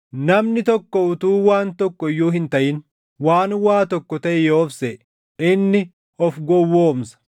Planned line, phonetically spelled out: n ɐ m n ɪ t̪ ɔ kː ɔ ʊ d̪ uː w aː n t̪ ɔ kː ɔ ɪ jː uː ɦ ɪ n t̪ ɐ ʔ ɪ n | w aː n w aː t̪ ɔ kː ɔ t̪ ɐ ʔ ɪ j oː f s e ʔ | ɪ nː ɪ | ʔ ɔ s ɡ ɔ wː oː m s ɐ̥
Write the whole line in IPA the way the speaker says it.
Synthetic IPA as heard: n ɐ m n ɪ t̪ ɔ kː ɔ ʊ t̪ uː w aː n t̪ ɔ kː ɔ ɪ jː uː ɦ ɪ n t̪ ɐ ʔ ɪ n | w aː n w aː t̪ ɔ kː ɔ t̪ ɐ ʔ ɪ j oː f s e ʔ | ɪ nː ɪ | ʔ ɔ f ɡ ɔ wː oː m s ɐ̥